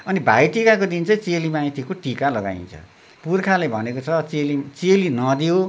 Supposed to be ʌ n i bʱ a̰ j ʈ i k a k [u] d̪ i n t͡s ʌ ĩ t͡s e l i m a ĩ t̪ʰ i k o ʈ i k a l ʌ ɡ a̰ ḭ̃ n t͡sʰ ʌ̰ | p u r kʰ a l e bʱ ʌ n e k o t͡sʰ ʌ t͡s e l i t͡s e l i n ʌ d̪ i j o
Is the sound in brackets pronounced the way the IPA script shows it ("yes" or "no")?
no